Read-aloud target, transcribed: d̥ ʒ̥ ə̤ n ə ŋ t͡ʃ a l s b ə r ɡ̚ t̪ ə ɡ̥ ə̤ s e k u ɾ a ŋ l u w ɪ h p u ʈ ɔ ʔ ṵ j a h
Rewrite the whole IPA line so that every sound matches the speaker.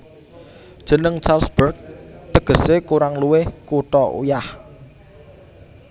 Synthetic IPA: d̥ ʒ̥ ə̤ n ə ŋ t͡ʃ a l s b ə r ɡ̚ t̪ ə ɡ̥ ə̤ s e k u ɾ a ŋ l u w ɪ h k u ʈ ɔ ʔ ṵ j a h